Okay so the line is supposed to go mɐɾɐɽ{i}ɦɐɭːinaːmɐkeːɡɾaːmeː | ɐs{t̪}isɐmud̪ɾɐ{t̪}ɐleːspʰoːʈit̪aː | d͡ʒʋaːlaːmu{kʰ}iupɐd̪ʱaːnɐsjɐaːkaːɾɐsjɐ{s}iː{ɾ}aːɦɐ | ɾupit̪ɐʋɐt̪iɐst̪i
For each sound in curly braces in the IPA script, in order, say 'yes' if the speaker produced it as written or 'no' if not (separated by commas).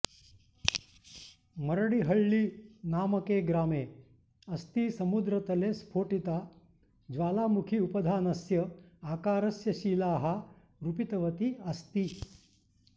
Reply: yes, yes, yes, yes, no, no